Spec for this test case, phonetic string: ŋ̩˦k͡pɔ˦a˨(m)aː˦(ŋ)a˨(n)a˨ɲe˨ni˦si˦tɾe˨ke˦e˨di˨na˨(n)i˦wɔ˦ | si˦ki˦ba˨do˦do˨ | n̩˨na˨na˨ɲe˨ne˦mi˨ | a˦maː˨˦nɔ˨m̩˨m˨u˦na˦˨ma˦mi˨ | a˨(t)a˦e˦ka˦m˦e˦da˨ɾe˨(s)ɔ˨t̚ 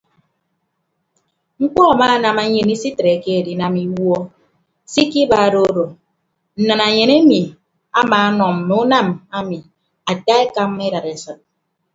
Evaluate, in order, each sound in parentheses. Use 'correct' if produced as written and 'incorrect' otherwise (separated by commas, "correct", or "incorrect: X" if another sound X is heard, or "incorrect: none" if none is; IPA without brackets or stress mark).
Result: correct, incorrect: n, incorrect: m, incorrect: m, correct, correct